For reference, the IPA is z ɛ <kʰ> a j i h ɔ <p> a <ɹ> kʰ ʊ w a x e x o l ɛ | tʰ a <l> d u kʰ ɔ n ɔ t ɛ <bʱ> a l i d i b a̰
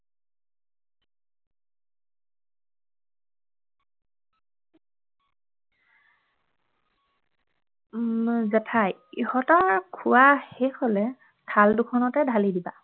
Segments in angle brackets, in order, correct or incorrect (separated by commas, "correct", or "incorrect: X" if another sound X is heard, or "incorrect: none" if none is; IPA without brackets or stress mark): incorrect: tʰ, incorrect: t, correct, correct, incorrect: dʱ